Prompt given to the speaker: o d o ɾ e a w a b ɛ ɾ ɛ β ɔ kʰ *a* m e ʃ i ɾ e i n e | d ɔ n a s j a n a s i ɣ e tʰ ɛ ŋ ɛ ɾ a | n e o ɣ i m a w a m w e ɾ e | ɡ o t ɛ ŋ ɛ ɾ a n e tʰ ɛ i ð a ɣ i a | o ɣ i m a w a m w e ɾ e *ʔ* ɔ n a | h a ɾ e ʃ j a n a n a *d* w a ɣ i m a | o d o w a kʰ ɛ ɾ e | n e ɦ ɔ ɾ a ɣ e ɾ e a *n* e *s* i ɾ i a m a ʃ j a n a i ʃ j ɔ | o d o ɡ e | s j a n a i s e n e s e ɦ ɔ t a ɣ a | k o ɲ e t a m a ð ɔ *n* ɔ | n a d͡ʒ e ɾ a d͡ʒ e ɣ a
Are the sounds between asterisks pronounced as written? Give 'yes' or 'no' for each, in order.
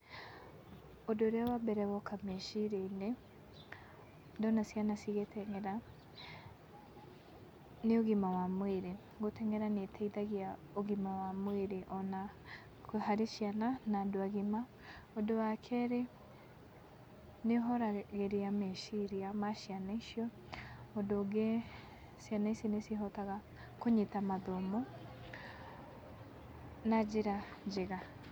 yes, yes, yes, no, no, no

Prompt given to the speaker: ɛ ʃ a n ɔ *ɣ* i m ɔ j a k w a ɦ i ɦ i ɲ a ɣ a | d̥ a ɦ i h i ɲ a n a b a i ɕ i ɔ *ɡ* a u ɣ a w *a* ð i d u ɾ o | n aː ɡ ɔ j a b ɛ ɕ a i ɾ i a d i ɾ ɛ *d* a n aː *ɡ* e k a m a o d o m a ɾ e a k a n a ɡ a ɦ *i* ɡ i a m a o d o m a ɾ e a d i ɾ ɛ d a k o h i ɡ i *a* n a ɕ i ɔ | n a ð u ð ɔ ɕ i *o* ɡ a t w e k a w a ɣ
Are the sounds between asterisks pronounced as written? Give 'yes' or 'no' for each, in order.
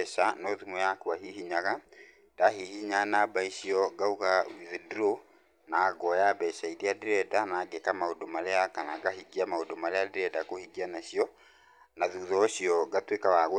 no, yes, no, yes, yes, yes, yes, no

